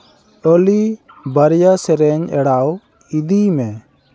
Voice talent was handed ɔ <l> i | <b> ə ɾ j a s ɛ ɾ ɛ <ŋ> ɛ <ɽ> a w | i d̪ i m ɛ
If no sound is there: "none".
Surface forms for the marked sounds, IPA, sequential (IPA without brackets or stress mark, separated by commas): l, b, ɲ, ɽ